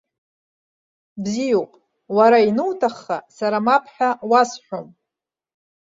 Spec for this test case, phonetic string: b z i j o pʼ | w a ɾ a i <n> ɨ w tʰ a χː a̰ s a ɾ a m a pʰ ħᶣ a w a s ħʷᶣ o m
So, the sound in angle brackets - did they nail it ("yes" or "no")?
yes